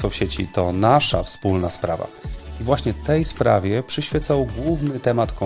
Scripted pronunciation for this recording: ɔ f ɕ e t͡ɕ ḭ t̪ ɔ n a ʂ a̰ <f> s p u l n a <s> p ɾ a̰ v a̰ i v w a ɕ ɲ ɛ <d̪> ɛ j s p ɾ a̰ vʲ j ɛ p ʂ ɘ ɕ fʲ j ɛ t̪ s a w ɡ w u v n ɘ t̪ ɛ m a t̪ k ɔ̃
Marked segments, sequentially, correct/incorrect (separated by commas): correct, correct, incorrect